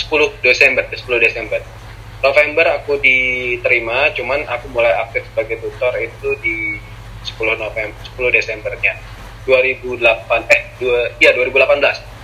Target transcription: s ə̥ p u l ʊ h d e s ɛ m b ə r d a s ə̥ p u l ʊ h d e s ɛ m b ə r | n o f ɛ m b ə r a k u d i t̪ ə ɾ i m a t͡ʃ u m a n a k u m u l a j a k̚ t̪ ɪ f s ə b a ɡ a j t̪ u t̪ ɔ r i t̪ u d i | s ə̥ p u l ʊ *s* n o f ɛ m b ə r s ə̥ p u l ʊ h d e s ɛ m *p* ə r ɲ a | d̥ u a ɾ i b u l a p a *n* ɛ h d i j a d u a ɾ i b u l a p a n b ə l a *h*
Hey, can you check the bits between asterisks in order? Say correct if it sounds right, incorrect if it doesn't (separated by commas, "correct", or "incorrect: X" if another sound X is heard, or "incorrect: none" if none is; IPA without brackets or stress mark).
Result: incorrect: h, incorrect: b, correct, incorrect: s